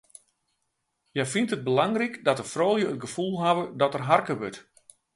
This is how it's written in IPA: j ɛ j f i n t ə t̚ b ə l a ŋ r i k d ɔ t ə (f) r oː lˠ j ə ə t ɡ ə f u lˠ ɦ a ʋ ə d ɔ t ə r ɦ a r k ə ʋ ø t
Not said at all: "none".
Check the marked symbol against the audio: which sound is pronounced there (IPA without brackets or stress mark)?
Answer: f